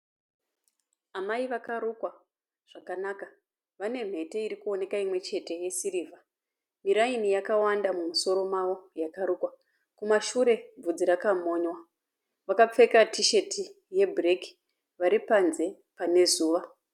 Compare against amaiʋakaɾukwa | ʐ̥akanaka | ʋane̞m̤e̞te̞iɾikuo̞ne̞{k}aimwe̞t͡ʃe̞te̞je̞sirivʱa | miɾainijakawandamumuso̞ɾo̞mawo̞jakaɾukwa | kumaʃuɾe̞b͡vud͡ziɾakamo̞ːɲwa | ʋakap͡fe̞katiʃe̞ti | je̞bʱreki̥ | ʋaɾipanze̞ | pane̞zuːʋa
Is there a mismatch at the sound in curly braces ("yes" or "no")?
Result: no